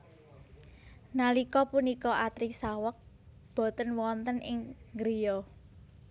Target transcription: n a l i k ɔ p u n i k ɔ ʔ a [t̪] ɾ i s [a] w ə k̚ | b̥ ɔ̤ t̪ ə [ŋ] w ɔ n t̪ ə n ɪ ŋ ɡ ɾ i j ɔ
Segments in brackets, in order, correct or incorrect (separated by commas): correct, correct, incorrect